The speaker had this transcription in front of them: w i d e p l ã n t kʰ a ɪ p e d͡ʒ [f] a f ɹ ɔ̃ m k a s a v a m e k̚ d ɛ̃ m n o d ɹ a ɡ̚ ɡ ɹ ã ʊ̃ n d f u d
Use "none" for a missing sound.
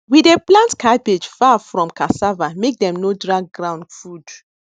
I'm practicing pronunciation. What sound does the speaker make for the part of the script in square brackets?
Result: f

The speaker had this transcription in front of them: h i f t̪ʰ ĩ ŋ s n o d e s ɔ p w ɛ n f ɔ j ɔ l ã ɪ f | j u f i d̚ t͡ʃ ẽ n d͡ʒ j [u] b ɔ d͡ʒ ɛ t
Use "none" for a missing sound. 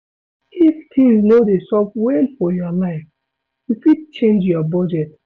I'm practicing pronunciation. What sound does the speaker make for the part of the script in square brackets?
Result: ɔ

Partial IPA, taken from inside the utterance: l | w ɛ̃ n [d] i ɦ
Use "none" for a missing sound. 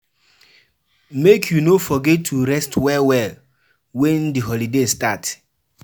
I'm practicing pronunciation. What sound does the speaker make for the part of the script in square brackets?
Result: d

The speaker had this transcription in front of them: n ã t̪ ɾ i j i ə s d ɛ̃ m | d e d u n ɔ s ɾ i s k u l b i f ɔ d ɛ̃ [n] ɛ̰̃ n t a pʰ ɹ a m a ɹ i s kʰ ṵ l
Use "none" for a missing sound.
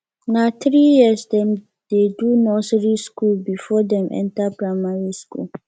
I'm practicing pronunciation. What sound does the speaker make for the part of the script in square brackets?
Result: m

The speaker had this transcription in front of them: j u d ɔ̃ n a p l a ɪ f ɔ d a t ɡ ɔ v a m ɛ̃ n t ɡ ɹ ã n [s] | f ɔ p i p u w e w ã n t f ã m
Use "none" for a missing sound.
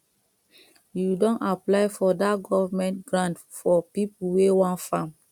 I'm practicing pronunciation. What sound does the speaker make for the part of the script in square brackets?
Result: t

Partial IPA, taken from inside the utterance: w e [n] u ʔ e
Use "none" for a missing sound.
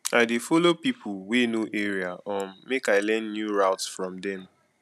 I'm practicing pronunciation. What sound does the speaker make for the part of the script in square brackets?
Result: n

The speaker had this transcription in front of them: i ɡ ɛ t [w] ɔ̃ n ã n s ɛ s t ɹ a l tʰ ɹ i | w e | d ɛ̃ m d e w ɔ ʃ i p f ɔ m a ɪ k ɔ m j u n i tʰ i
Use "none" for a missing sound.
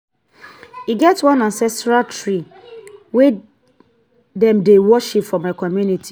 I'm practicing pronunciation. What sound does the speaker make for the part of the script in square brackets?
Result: w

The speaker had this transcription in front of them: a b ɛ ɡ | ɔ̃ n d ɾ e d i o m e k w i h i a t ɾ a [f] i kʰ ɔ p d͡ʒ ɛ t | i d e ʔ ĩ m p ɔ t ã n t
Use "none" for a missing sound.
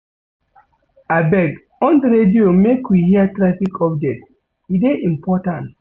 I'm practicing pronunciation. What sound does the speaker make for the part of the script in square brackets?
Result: f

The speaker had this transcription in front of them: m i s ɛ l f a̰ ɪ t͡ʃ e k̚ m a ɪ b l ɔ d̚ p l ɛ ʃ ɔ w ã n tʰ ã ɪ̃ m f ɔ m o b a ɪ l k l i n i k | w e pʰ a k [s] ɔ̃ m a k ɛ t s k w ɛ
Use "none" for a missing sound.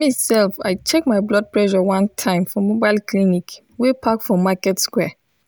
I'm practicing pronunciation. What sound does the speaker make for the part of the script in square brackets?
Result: f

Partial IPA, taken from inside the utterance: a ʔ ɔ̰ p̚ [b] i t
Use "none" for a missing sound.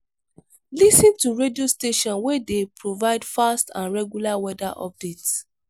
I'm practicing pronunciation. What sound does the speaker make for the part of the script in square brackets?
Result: d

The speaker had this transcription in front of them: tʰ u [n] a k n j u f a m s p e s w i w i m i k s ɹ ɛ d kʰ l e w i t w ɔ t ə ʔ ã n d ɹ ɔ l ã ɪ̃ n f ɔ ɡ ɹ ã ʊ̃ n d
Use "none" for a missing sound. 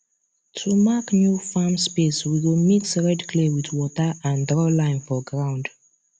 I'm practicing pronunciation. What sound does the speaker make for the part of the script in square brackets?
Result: m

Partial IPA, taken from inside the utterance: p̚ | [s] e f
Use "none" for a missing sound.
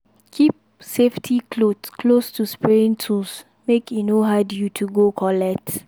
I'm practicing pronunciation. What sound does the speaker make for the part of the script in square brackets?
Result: s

